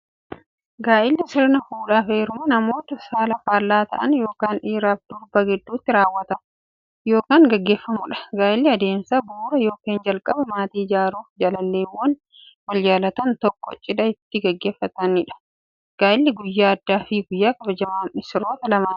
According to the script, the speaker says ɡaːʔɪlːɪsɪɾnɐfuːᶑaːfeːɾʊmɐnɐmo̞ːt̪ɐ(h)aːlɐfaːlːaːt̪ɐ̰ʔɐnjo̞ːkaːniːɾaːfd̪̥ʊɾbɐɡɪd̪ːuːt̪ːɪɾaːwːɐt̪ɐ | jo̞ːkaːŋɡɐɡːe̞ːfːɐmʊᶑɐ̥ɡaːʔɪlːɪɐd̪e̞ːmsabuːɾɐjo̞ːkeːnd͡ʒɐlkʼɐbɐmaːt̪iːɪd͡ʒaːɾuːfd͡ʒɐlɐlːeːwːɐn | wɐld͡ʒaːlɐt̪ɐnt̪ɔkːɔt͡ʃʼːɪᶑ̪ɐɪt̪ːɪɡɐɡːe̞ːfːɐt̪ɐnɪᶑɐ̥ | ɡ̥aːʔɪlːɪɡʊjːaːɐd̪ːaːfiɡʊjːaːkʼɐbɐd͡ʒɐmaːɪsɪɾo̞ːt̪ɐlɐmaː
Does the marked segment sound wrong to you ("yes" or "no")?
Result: yes